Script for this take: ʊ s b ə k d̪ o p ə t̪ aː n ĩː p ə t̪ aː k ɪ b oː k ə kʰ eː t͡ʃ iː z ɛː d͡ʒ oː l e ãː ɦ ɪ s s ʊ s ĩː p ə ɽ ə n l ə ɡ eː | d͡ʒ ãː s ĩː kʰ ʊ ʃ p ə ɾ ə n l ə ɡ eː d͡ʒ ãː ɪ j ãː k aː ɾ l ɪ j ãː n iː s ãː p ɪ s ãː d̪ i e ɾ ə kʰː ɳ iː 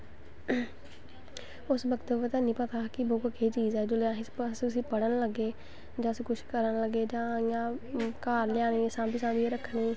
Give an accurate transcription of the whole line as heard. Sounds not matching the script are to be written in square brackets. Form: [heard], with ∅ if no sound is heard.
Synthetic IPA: ʊ s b ə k [t̪] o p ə t̪ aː n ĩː p ə t̪ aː k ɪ b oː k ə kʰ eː t͡ʃ iː z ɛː d͡ʒ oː l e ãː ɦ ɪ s s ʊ s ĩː p ə ɽ ə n l ə ɡ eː | d͡ʒ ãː s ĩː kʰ ʊ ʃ [k] ə ɾ ə n l ə ɡ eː d͡ʒ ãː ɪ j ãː k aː ɾ l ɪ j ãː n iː s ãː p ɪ s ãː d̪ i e ɾ ə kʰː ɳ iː